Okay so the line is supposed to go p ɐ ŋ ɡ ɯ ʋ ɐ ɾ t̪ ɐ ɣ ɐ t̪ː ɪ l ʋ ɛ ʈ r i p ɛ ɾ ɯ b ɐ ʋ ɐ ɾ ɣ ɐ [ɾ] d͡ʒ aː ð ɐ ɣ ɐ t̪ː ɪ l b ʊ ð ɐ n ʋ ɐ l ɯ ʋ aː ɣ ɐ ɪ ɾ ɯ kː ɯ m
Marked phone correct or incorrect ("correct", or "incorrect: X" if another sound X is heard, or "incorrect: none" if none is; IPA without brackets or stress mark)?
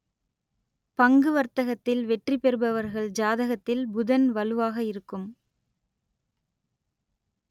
incorrect: ɭ